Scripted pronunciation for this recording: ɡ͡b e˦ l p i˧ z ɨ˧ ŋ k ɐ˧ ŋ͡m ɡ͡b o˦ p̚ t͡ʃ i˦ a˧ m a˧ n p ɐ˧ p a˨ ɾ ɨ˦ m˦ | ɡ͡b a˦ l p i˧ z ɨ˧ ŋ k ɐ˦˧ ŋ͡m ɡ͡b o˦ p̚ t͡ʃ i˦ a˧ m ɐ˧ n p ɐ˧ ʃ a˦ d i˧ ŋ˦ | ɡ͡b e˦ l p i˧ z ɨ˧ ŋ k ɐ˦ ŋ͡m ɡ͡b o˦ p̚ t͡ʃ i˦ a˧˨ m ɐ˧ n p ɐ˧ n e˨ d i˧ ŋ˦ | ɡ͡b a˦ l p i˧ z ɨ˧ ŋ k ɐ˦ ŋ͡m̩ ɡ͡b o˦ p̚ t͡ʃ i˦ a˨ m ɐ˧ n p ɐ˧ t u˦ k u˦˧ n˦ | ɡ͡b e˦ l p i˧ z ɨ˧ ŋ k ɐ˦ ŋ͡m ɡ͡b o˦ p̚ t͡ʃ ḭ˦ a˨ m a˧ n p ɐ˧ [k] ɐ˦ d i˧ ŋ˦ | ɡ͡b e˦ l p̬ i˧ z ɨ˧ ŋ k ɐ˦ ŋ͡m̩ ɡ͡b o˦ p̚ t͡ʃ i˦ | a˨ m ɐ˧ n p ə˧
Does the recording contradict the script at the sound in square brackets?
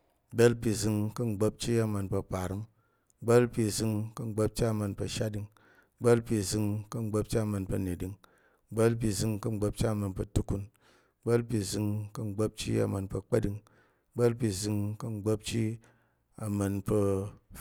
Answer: yes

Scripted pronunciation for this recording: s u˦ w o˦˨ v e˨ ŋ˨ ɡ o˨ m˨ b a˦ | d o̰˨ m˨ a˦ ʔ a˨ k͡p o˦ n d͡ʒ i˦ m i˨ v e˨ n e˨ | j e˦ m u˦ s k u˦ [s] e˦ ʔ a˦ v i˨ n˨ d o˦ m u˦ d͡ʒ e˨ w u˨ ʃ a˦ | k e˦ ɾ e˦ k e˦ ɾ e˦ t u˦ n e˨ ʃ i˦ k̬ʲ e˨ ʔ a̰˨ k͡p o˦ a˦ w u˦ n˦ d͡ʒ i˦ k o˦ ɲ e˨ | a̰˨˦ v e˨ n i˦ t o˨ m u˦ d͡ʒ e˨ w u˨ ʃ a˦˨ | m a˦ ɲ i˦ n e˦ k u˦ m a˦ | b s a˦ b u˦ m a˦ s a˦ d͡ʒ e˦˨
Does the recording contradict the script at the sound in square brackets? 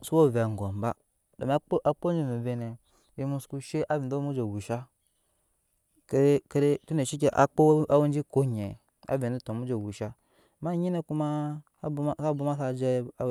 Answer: yes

